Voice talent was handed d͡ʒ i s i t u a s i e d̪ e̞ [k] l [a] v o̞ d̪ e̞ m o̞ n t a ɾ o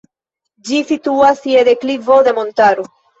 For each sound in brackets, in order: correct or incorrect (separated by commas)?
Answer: correct, incorrect